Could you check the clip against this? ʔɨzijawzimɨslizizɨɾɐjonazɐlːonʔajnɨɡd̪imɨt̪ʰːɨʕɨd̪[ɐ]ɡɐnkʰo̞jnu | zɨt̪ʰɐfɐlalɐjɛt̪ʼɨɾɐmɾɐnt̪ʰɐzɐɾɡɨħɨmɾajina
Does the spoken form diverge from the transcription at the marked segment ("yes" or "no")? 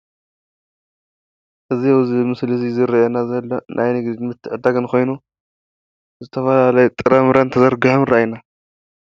yes